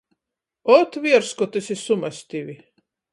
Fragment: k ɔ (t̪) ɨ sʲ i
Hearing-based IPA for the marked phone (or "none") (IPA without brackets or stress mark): t̪